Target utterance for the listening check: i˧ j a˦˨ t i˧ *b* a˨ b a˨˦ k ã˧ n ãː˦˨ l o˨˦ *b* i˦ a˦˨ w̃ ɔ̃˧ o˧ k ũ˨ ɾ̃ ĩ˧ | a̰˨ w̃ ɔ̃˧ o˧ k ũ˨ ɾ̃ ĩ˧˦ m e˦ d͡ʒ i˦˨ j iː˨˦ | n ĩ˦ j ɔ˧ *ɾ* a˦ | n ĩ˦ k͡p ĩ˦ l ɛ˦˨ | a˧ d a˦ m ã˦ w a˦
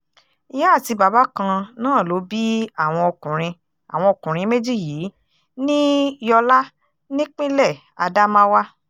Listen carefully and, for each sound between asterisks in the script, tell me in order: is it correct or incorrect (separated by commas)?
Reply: correct, correct, incorrect